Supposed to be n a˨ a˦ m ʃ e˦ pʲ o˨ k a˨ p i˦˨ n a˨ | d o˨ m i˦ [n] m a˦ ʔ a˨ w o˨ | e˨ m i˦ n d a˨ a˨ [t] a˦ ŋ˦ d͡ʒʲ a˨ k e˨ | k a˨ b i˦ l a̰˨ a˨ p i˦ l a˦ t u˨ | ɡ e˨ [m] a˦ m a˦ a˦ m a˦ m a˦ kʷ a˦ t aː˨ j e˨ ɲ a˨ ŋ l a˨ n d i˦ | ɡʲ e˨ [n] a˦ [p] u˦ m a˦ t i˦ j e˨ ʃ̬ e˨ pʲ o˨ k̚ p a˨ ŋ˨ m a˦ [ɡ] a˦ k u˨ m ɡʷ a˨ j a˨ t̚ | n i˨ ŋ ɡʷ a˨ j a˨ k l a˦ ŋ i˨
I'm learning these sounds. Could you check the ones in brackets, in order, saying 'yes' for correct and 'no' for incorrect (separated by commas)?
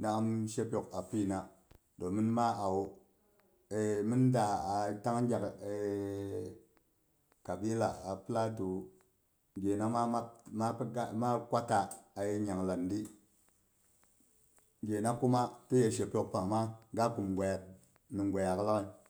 yes, yes, no, yes, no, yes